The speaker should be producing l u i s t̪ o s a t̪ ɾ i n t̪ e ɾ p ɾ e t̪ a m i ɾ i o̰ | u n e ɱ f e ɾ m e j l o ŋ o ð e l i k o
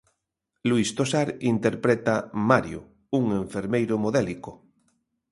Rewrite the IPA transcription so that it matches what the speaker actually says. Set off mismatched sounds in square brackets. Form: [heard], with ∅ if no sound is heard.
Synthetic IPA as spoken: l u i s t̪ o s a [∅] ɾ i n t̪ e ɾ p ɾ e t̪ a m [a] ɾ [j] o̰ | u [ŋ] e ɱ f e ɾ m e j [ɾ] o [m] o ð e l i k o